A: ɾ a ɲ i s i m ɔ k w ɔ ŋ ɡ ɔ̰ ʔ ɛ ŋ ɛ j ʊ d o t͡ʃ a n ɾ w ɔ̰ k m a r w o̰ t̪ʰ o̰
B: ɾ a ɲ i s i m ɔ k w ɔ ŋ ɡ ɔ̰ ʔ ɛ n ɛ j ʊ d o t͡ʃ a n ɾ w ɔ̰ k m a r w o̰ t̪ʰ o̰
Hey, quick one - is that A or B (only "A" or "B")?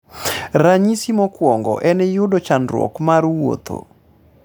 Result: B